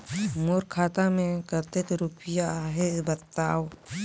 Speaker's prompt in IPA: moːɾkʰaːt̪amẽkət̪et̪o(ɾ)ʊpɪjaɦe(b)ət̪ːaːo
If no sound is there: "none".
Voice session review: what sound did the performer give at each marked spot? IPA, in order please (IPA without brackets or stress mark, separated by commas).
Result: ɾ, b